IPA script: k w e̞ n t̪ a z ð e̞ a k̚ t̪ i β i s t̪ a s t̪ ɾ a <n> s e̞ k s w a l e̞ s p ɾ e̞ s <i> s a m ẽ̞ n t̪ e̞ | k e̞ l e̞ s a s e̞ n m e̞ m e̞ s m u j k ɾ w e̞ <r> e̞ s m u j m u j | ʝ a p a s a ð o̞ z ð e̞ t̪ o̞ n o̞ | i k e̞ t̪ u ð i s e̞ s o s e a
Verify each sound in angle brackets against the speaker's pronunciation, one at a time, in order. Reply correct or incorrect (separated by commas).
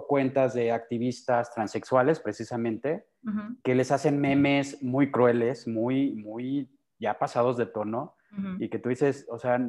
correct, correct, incorrect